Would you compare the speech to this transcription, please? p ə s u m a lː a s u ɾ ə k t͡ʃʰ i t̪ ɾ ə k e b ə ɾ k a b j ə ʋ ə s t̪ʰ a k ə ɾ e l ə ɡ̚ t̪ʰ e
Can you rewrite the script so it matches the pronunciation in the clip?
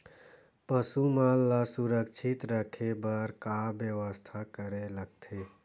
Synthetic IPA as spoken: p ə s u m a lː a s u ɾ ə k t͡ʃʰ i t̪ ɾ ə kʰ e b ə ɾ k a b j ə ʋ ə s t̪ʰ a k ə ɾ e l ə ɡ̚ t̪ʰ e